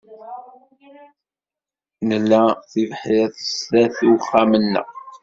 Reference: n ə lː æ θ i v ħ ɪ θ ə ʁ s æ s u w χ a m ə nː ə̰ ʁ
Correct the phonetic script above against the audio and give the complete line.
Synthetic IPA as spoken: n ə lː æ θ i v ħ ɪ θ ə s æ θ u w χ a m ə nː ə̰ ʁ